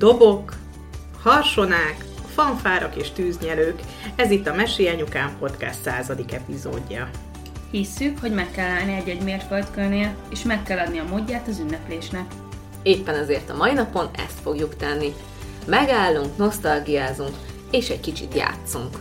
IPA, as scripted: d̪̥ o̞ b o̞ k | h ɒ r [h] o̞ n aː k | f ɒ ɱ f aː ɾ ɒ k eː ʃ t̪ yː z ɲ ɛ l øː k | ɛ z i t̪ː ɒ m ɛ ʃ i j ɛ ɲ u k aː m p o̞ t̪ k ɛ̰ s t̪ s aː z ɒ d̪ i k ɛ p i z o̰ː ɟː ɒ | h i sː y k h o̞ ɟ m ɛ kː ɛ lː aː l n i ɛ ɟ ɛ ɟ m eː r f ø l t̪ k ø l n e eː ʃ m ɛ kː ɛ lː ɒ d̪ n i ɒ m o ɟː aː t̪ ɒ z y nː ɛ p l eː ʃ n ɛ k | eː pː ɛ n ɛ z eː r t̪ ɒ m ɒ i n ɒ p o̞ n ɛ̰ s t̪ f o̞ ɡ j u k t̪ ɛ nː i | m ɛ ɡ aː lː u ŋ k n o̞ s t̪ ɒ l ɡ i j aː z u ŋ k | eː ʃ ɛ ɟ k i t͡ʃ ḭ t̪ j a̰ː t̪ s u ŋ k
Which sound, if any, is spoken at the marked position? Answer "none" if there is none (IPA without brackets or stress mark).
ʃ